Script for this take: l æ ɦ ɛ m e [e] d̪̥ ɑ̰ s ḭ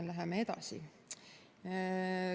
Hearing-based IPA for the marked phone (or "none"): e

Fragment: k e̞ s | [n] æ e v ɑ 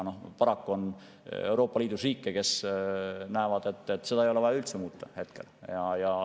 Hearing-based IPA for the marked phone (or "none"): n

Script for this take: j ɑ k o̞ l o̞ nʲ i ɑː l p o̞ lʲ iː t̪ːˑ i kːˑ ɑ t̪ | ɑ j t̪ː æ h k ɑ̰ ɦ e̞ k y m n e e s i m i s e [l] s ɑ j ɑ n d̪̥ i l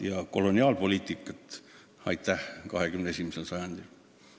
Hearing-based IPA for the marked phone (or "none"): l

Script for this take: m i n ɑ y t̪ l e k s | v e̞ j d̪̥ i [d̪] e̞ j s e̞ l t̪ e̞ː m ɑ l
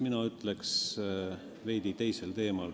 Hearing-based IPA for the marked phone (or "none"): t̪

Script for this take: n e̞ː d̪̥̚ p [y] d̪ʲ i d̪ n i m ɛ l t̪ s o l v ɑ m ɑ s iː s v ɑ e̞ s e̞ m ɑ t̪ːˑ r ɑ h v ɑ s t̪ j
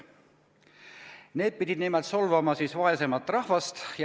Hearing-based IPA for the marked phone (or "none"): i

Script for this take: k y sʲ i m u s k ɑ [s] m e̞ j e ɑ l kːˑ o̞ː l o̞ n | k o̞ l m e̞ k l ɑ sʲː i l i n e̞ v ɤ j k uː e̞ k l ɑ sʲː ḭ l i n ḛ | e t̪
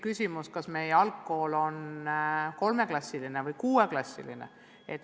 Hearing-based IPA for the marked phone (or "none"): s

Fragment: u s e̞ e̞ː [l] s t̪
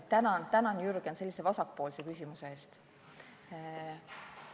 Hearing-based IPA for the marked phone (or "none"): none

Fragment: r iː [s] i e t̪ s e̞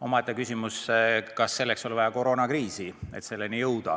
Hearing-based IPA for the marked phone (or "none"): s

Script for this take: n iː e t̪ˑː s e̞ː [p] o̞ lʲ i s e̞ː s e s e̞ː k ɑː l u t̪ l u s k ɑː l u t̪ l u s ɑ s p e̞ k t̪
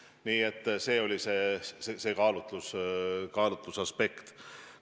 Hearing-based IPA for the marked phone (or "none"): none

